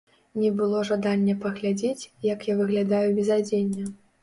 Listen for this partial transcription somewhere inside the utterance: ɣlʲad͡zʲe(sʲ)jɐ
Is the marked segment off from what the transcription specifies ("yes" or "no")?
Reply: yes